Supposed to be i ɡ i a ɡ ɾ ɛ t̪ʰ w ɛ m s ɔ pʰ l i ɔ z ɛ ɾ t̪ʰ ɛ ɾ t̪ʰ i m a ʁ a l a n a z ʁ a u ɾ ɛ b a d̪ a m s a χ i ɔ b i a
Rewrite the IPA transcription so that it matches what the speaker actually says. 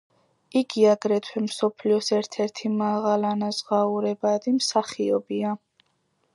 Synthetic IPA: i ɡ i a ɡ ɾ ɛ t̪ʰ w ɛ m s ɔ pʰ l i ɔ s ɛ ɾ t̪ʰ ɛ ɾ t̪ʰ i m a ʁ a l a n a z ʁ a u ɾ ɛ b a d̪ i m s a χ i ɔ b i a

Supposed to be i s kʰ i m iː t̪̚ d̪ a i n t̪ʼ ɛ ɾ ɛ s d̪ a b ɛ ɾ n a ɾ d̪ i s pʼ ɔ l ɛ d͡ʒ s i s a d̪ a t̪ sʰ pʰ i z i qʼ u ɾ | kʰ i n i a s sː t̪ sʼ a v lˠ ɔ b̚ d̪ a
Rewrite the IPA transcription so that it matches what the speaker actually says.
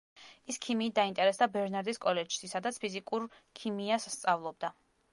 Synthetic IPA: i s kʰ i m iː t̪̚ d̪ a i n t̪ʼ ɛ ɾ ɛ s d̪ a b ɛ ɾ n a ɾ d̪ i s kʼ ɔ l ɛ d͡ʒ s i s a d̪ a t̪ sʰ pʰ i z i kʼ u ɾ | kʰ i m i a s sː t̪ sʼ a v lˠ ɔ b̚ d̪ a

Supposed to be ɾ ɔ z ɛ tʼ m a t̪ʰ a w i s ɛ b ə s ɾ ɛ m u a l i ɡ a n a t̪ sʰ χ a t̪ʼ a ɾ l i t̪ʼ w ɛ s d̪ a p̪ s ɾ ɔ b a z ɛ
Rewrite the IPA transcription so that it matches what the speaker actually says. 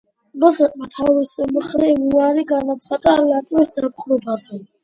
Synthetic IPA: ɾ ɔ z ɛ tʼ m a t̪ʰ a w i s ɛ m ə χ ɾ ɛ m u a ɾ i ɡ a n a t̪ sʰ χ a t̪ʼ a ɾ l a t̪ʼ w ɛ s d̪ a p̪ χ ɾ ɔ b a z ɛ

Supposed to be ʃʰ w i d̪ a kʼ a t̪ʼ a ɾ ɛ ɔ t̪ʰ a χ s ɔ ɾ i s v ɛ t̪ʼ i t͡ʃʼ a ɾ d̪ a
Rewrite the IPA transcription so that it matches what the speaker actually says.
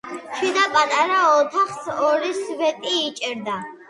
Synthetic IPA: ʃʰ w i d̪ a pʼ a t̪ʼ a ɾ a ɔ t̪ʰ a χ s ɔ ɾ i s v ɛ t̪ʼ iː t͡ʃʼ ɛ ɾ d̪ a

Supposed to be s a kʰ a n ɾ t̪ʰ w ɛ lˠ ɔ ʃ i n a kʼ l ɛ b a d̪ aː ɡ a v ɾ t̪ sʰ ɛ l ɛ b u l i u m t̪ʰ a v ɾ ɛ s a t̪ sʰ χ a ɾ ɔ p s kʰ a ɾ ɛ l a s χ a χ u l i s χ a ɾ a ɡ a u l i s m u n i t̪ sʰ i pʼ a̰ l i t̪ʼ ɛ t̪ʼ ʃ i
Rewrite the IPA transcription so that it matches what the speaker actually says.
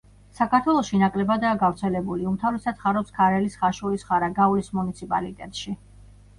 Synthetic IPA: s a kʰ a ɾ t̪ʰ w ɛ lˠ ɔ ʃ i n a kʼ l ɛ b a d̪ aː ɡ a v ɾ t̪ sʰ ɛ l ɛ b u l i u m t̪ʰ a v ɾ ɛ s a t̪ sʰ χ a ɾ ɔ p s kʰ a ɾ ɛ l i s χ a ʃ u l i s χ a ɾ a ɡ a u l i s m u n i t̪ sʰ i pʼ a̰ l i t̪ʼ ɛ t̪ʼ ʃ i

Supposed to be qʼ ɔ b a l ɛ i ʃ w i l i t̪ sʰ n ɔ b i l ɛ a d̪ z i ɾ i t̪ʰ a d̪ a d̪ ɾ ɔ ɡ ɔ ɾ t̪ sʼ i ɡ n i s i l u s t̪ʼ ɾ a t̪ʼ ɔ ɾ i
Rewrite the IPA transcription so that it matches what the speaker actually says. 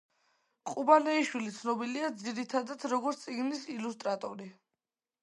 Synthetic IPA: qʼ u b a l ɛ i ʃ w i l i t̪ sʰ n ɔ b i l i a d̪ z i ɾ i t̪ʰ a d̪ a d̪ ɾ ɔ ɡ ɔ ɾ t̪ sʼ i ɡ n i s i l u s t̪ʼ ɾ a t̪ʼ ɔ ɾ i

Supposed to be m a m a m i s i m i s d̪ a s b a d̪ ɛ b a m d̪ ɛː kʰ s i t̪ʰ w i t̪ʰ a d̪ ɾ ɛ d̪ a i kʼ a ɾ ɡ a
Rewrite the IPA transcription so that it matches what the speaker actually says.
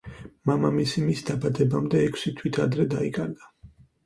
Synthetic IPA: m a m a m i s i m i s d̪ a b a d̪ ɛ b a m d̪ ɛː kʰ s i t̪ʰ w i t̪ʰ a d̪ ɾ ɛ d̪ a i kʼ a ɾ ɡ a

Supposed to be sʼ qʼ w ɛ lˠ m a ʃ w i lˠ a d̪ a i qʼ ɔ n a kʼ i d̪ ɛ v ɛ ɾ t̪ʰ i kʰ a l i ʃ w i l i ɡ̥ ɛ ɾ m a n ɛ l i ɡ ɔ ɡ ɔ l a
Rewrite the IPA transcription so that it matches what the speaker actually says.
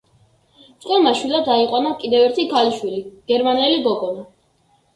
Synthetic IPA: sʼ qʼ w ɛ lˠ m a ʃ w i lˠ a d̪ a i qʼ ɔ n a kʼ i d̪ ɛ v ɛ ɾ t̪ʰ i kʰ a l i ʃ w i l i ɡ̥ ɛ ɾ m a n ɛ l i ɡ ɔ ɡ ɔ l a

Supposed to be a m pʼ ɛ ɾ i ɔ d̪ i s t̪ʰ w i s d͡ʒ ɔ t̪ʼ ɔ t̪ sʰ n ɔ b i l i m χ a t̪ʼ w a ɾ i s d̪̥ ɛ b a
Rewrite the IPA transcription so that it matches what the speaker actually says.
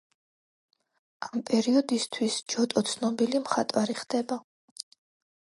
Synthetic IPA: a m pʼ ɛ ɾ i ɔ d̪ i s t̪ʰ w i s d͡ʒ ɔ t̪ʼ ɔ t̪ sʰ n ɔ b i l i m χ a t̪ʼ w a ɾ i χ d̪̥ ɛ b a

